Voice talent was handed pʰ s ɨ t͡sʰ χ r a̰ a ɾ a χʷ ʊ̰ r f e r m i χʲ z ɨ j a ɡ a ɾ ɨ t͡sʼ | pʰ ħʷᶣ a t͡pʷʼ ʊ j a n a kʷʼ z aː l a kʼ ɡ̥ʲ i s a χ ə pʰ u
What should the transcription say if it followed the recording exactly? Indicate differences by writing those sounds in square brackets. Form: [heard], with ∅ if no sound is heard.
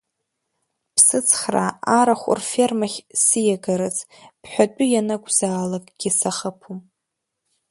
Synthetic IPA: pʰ s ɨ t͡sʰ χ r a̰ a ɾ a χʷ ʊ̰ r f e r m [a] χʲ [s] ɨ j a ɡ a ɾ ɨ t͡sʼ | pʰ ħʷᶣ a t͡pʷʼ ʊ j a n a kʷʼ z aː l a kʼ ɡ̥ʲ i s a χ ə pʰ u